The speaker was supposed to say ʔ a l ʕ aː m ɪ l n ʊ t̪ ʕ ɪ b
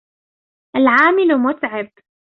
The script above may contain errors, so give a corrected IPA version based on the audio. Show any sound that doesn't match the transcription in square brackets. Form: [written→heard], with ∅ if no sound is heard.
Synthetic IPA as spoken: ʔ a l ʕ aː m ɪ l [n→m] ʊ t̪ ʕ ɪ b

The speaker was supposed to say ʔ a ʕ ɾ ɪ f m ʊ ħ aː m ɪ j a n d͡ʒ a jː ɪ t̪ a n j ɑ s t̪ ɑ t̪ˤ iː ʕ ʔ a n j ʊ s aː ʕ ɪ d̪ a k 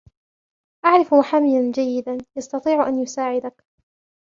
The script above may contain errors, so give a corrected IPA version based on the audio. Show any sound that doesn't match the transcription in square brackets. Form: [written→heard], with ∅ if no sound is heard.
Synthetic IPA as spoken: ʔ a ʕ ɾ ɪ f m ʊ ħ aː m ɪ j a n d͡ʒ a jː ɪ [t̪→d̪] a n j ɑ s t̪ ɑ t̪ˤ iː ʕ ʔ a n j ʊ s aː ʕ ɪ d̪ a k

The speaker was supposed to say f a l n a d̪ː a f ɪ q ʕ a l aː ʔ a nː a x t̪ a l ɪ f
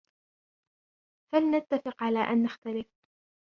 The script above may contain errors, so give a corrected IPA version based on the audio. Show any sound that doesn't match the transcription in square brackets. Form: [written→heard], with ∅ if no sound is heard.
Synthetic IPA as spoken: f a l n a [d̪ː→t̪ː] a f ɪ q ʕ a l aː ʔ a nː a x t̪ a l ɪ f

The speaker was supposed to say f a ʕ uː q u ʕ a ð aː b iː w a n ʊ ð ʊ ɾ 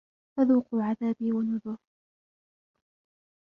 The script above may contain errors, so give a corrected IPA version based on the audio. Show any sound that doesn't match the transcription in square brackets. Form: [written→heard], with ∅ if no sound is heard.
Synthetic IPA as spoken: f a [ʕ→ð] uː q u ʕ a ð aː b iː w a n ʊ ð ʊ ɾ

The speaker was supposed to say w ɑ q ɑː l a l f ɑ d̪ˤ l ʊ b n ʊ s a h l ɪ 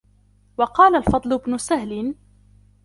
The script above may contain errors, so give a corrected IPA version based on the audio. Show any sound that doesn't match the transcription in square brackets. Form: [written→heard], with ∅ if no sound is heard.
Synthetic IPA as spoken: w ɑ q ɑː l a l f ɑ d̪ˤ l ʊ b n ʊ s a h l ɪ

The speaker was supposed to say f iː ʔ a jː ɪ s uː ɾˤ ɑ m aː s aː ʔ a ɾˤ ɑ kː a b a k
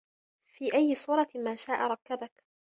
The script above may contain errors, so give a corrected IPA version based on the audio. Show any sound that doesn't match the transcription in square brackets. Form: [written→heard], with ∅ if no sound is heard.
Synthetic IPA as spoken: f iː ʔ a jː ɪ s uː ɾˤ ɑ m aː [s→ʃ] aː ʔ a ɾˤ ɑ kː a b a k

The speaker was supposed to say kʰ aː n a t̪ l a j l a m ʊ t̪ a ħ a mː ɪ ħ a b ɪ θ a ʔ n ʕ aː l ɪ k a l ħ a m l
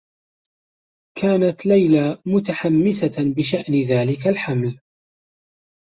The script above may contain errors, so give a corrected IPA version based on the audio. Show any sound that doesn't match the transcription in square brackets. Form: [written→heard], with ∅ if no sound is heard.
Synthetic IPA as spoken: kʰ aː n a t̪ l a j l a m ʊ t̪ a ħ a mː ɪ [ħ→s] a b ɪ [θ→ʃ] a ʔ n [ʕ→ð] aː l ɪ k a l ħ a m l

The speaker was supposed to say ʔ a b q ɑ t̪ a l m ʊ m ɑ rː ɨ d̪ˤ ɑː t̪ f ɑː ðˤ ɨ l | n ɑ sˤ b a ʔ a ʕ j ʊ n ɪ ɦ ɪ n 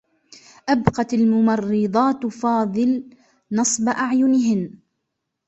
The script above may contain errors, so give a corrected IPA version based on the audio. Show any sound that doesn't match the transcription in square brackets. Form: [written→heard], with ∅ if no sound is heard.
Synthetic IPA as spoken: ʔ a b q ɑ t̪ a l m ʊ m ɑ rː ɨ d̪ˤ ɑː t̪ f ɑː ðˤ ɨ l | n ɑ sˤ b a ʔ a ʕ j ʊ n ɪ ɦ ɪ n

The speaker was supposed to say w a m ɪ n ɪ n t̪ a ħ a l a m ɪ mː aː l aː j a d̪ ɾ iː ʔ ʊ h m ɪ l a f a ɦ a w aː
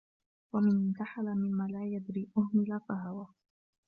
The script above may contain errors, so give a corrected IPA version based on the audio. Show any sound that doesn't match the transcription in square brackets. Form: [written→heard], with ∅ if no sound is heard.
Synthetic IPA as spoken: w a m ɪ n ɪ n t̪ a ħ a l a m ɪ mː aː l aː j a d̪ ɾ iː ʔ ʊ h m ɪ l a f a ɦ a w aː

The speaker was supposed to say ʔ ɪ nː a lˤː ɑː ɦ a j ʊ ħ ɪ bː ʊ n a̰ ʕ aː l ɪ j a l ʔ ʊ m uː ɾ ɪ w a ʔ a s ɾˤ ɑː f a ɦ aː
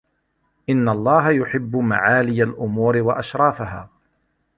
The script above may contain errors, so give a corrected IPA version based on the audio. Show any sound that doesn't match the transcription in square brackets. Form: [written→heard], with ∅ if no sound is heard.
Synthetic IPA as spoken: ʔ ɪ nː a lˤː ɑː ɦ a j ʊ ħ ɪ bː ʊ [n→m] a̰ ʕ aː l ɪ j a l ʔ ʊ m uː ɾ ɪ w a ʔ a [s→ʃ] ɾˤ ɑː f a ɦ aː

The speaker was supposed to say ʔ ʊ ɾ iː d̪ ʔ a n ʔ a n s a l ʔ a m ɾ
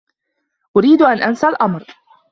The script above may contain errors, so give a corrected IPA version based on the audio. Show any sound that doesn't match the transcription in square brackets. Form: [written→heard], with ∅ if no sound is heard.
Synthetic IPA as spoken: ʔ ʊ ɾ iː d̪ ʔ a n ʔ a n s a l ʔ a m ɾ

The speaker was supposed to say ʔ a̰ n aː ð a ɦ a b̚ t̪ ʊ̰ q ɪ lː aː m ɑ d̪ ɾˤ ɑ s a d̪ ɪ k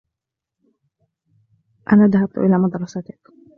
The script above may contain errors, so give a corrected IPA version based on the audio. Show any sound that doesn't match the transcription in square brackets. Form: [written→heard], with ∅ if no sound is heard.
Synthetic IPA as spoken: ʔ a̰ n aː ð a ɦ a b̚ t̪ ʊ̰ [q→ʔ] ɪ [lː→l] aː m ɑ d̪ ɾˤ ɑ s a [d̪→t̪] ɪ k

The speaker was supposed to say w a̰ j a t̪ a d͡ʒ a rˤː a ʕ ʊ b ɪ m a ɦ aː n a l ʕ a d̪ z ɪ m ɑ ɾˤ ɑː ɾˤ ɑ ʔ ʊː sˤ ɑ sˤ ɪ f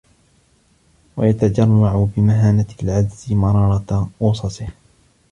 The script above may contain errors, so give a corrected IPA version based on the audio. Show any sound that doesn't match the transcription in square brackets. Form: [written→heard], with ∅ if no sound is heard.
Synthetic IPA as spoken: w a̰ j a t̪ a d͡ʒ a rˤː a ʕ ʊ b ɪ m a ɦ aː n a l ʕ a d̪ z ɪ m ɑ ɾˤ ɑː ɾˤ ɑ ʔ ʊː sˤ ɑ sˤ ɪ [f→h]

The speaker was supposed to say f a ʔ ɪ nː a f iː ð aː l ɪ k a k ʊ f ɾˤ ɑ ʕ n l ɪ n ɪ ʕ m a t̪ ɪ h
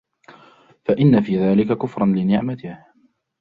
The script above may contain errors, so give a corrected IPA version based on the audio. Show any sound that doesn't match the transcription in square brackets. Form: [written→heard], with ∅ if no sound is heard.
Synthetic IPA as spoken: f a ʔ ɪ nː a f iː ð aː l ɪ k a k ʊ f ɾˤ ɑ [ʕ→∅] n l ɪ n ɪ ʕ m a t̪ ɪ h

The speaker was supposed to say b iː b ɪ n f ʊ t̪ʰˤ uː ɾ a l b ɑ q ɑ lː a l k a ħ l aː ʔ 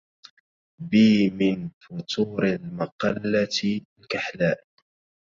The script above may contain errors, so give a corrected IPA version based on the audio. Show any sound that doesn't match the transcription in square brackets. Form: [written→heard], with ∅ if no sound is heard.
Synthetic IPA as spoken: b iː [b→m] ɪ n f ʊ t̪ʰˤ uː ɾ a l [b→m] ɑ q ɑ lː a l k a ħ l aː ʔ

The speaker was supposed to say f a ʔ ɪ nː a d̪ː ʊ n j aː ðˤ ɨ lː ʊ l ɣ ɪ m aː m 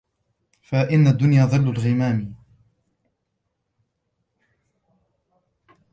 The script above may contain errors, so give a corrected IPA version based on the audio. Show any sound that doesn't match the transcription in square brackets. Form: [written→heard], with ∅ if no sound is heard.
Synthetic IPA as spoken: f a ʔ ɪ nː a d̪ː ʊ n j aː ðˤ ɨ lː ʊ l ɣ ɪ m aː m

